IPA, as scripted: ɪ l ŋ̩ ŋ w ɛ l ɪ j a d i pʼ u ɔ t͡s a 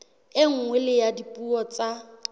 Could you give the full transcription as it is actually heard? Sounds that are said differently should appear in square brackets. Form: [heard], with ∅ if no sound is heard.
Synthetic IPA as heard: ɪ [∅] ŋ̩ ŋ w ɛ l ɪ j a d i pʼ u ɔ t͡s a